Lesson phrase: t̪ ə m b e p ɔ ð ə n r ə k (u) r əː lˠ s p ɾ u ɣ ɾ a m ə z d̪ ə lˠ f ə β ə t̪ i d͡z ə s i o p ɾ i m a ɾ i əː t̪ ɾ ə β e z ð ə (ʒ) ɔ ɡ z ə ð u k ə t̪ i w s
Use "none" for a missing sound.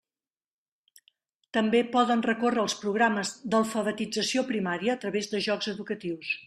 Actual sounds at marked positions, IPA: o, ʒ

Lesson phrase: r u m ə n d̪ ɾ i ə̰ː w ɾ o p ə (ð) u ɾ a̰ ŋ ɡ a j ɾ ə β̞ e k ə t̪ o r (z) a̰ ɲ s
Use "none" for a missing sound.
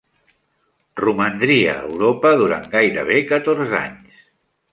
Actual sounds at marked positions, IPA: ð, z

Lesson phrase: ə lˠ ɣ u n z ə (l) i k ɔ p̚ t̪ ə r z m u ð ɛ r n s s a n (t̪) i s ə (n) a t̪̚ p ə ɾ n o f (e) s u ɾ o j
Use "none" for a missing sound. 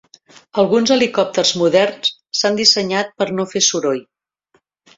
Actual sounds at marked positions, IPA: l, d̪, ɲ, e

